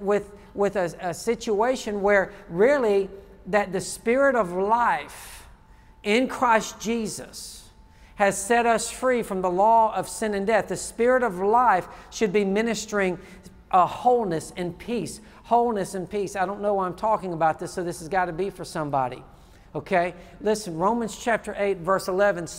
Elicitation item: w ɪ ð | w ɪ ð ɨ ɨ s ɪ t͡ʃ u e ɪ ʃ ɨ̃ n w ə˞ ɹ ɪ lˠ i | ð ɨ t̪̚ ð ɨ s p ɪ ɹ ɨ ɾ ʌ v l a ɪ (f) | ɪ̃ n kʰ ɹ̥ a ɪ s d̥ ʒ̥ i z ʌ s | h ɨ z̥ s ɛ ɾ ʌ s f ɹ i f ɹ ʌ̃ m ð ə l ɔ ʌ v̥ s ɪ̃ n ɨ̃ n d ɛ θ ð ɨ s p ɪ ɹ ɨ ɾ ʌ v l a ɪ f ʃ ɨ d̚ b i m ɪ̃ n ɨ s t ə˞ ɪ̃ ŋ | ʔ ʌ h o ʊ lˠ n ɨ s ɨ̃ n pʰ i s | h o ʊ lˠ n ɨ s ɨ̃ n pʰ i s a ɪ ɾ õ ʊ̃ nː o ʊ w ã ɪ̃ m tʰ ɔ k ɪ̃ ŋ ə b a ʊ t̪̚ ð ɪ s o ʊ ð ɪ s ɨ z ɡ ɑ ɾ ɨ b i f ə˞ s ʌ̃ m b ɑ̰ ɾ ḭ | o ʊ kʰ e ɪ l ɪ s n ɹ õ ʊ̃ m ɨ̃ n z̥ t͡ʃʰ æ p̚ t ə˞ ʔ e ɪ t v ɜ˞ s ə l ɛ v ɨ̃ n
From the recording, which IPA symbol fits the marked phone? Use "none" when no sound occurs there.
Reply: f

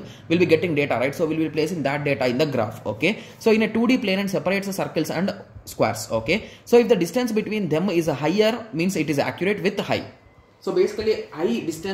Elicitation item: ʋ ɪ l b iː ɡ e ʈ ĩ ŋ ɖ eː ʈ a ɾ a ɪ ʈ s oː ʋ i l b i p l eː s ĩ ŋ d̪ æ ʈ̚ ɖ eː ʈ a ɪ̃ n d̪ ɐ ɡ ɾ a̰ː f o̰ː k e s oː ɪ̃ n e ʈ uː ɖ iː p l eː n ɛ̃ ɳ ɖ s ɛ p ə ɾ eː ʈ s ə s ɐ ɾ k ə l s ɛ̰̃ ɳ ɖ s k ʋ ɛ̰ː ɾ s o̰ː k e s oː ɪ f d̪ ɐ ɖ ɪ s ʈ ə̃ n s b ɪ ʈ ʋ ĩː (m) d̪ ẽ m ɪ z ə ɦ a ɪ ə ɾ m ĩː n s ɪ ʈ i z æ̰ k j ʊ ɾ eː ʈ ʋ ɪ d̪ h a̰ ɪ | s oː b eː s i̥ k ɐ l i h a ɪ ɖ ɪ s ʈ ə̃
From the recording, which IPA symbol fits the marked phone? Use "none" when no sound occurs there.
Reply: n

